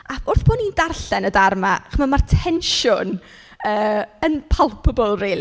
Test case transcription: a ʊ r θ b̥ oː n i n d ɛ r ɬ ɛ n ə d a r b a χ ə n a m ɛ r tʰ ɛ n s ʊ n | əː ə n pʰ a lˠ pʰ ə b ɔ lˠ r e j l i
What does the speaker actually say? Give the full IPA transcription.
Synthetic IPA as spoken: a ʊ r θ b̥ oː n i n d a r ɬ ɛ n ə d a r m a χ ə m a m a r tʰ ɛ n ʃ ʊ n | əː ə n pʰ a lˠ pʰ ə b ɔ lˠ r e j l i